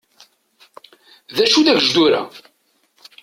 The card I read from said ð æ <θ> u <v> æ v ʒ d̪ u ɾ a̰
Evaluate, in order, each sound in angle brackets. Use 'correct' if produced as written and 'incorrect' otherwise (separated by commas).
incorrect, incorrect